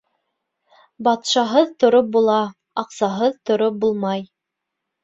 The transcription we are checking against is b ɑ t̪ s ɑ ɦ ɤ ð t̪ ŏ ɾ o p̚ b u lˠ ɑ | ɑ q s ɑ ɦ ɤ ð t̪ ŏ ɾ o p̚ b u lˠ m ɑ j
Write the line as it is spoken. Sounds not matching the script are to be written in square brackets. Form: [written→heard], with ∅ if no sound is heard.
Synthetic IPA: b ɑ t̪ [s→ʃ] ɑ ɦ ɤ ð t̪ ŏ ɾ o p̚ b u lˠ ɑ | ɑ q s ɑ ɦ ɤ ð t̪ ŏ ɾ o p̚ b u lˠ m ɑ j